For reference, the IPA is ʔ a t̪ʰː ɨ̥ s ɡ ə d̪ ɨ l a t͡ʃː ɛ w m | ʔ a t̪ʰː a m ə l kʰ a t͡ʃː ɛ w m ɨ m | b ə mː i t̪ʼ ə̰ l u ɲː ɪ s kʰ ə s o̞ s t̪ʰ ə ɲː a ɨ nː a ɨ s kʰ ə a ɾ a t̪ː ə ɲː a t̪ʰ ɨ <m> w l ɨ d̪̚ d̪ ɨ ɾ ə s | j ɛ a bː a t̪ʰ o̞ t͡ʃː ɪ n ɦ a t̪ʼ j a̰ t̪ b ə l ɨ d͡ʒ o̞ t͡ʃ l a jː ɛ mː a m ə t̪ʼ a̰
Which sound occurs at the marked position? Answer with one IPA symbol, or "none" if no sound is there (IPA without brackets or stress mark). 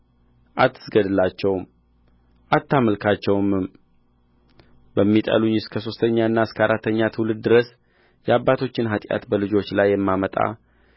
none